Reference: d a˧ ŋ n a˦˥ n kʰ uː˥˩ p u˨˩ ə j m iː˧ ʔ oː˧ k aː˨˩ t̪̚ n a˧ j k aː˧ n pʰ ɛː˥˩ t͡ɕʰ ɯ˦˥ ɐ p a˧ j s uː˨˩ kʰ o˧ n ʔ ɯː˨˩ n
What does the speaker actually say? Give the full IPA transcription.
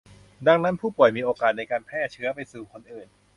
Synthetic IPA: d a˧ ŋ n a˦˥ n pʰ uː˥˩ p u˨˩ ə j m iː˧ ʔ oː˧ k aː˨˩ t̪̚ n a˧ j k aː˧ n pʰ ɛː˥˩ t͡ɕʰ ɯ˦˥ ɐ p a˧ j s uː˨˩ kʰ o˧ n ʔ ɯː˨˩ n